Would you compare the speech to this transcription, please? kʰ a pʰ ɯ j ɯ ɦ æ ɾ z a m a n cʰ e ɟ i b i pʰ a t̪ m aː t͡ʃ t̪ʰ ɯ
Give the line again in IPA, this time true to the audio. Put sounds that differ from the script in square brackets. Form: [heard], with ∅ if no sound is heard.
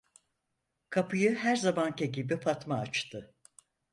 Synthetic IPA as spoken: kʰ a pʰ ɯ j ɯ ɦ æ ɾ z a m a n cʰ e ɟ i b i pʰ a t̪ m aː t͡ʃ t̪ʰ ɯ